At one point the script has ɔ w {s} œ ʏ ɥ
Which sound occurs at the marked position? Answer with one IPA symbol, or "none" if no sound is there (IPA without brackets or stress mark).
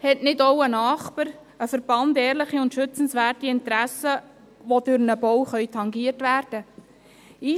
χ